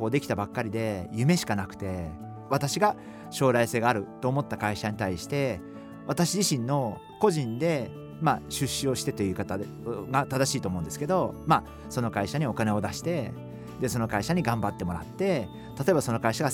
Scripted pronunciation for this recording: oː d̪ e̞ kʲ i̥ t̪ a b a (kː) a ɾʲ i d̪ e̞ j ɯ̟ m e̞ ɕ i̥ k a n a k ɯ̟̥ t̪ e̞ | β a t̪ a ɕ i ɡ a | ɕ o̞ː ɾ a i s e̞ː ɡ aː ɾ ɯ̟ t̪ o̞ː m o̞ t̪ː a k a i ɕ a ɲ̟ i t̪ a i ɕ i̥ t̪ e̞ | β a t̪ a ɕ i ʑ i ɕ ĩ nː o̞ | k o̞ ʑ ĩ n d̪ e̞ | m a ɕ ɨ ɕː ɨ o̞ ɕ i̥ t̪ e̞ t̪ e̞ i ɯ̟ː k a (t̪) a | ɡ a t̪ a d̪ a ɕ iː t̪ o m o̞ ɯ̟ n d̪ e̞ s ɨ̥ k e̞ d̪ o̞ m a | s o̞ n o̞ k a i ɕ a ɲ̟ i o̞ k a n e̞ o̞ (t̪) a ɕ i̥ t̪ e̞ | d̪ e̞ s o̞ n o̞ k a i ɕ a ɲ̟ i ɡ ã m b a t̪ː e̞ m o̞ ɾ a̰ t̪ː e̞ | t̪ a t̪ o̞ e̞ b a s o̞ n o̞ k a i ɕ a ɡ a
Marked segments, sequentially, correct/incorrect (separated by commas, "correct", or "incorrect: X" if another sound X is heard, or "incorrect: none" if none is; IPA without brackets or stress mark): correct, correct, incorrect: d̪